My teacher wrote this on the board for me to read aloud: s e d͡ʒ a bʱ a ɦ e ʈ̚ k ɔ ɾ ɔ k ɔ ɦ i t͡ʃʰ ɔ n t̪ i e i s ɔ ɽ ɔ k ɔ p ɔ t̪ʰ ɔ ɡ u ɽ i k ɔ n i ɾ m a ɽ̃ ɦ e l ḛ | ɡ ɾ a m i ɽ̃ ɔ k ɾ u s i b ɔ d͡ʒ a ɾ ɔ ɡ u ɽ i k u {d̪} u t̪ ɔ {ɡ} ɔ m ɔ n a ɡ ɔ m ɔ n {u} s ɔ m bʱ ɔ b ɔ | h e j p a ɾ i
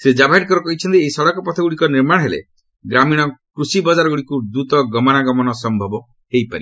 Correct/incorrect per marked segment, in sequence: correct, correct, incorrect: ɔ

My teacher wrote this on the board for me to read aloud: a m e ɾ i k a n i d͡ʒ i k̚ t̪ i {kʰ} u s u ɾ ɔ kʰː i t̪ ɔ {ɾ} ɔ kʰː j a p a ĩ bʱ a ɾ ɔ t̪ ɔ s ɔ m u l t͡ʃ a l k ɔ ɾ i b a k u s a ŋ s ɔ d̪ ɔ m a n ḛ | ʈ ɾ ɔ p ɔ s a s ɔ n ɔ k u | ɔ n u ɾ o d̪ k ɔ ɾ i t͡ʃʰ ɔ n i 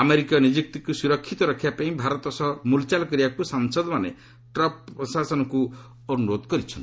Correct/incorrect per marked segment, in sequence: incorrect: k, correct

